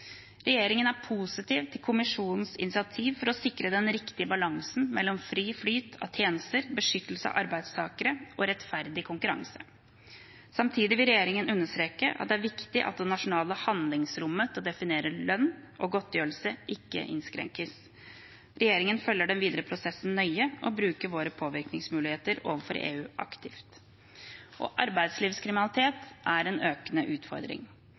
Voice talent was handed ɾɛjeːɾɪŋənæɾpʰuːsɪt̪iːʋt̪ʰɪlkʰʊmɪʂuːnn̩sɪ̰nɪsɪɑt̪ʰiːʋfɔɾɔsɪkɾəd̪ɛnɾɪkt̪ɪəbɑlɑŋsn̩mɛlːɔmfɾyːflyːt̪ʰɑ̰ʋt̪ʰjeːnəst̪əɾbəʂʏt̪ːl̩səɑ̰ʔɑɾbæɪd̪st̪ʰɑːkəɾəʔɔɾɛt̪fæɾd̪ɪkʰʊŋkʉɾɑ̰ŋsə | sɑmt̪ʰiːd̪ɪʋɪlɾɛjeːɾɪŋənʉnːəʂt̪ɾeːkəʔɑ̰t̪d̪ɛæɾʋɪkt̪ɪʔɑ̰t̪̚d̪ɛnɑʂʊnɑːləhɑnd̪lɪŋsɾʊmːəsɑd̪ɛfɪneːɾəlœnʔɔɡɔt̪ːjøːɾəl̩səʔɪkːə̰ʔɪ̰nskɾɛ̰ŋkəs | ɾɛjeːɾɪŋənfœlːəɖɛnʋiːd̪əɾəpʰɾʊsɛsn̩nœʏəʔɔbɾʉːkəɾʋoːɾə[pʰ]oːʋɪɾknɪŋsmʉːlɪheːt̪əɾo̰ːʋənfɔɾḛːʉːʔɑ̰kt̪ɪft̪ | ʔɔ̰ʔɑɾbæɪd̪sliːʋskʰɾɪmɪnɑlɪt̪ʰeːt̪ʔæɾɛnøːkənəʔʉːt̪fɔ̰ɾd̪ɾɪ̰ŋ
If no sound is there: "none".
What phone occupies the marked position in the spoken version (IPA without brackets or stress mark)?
pʰ